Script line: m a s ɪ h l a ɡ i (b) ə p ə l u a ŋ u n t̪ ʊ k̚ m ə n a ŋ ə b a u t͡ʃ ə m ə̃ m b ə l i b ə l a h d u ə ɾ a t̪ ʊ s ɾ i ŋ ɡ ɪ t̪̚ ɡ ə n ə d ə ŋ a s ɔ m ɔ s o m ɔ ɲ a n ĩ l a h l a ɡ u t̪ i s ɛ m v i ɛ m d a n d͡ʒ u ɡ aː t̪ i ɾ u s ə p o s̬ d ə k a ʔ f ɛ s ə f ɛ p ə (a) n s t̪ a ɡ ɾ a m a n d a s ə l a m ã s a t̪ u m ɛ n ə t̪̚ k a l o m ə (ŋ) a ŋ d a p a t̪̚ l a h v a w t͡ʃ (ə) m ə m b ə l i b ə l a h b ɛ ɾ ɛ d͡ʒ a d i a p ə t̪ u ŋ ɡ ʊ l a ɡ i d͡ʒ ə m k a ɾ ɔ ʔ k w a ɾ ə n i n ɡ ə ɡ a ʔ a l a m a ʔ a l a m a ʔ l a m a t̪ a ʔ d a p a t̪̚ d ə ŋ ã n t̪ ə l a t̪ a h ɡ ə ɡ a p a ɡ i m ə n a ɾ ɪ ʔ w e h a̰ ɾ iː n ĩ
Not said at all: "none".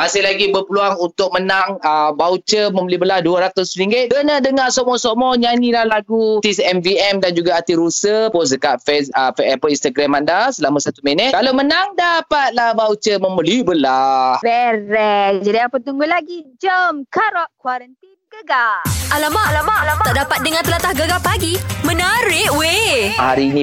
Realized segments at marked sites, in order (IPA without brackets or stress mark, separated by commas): b, i, n, ə